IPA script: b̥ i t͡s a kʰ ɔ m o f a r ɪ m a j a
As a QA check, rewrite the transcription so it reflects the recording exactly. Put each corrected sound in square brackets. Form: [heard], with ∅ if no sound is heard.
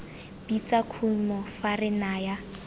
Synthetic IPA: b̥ i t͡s a kʰ [u] m [ɔ] f a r ɪ [n] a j a

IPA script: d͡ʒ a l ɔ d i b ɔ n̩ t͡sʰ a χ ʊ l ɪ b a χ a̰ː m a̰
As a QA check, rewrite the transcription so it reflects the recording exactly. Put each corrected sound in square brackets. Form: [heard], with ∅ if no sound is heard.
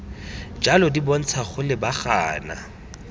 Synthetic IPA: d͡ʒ a l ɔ d i b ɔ n̩ t͡sʰ a χ ʊ l ɪ b a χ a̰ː [n] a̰

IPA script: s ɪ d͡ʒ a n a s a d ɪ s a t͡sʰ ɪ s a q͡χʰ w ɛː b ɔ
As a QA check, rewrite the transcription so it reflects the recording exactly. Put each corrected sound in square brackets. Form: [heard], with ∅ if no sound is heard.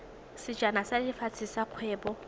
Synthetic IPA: s ɪ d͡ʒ a n a s a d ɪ [f] a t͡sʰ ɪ s a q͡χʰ w ɛː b ɔ

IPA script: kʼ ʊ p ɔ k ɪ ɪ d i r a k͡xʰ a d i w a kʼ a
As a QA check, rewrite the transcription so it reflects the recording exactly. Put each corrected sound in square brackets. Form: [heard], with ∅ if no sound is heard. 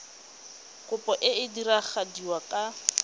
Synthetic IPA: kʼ ʊ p ɔ [ʔ] ɪ ɪ d i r a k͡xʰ a d i w a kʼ a

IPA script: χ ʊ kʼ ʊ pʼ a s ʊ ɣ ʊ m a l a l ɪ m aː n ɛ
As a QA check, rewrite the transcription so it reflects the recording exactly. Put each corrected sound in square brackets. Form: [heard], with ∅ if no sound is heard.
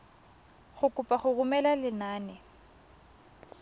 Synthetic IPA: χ ʊ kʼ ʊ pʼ a [χ] ʊ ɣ ʊ m [ɛ] l a l ɪ [n] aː n ɛ

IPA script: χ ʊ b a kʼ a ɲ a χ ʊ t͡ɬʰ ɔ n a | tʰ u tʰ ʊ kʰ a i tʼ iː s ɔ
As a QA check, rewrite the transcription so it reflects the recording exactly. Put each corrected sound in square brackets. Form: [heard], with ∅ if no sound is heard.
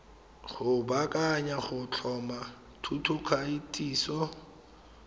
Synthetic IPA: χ ʊ b a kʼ a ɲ a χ ʊ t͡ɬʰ ɔ [m] a | tʰ u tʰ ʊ kʰ a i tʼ iː s ɔ

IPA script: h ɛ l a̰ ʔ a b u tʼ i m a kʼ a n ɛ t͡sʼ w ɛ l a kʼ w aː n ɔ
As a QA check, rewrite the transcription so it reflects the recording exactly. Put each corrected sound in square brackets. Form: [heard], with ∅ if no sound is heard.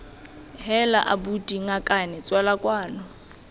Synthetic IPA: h ɛ l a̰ ʔ a b u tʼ i [ŋ] a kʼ a n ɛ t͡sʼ w [a] l a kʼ w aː n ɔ

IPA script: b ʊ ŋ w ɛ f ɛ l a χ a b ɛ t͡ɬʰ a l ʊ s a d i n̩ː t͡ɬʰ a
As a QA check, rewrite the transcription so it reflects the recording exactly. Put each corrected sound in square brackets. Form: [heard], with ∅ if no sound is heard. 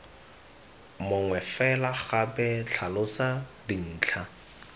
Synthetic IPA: [m] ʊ ŋ w ɛ f ɛ l a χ a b ɛ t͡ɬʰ a l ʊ s a d i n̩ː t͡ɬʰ a

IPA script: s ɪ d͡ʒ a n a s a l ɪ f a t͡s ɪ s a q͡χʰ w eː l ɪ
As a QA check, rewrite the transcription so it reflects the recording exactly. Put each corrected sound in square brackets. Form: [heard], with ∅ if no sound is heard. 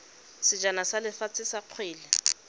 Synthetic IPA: s ɪ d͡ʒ a n a s a l ɪ f a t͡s ɪ s a q͡χʰ w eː l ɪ

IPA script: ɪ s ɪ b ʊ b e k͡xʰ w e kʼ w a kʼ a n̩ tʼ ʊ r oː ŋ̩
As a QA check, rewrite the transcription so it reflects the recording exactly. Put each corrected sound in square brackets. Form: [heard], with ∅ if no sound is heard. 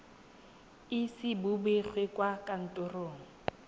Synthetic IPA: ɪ s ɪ b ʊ b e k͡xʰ w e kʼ w a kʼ a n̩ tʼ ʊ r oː ŋ̩

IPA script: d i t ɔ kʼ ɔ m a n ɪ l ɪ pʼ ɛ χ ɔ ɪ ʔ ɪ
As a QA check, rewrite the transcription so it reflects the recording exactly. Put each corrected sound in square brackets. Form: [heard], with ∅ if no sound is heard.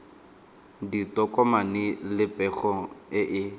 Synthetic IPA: d i t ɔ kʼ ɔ m a n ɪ l ɪ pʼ ɛ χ ɔ ɪ ʔ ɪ

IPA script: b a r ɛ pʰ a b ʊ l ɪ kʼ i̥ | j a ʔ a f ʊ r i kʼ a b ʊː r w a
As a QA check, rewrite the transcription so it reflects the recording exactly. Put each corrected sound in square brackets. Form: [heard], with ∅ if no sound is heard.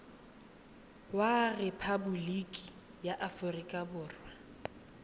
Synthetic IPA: [w] a r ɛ pʰ a b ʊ l [i] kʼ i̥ | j a ʔ a f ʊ r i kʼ a b ʊː r w a

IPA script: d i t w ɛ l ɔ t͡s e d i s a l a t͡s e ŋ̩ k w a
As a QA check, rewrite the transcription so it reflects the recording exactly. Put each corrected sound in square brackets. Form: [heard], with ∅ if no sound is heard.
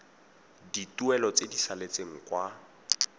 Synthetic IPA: d i t [u] ɛ l ɔ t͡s e d i s a l [e] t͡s e ŋ̩ k w a

